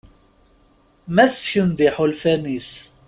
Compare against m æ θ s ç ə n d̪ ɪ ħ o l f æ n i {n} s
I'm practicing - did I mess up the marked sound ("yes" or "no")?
yes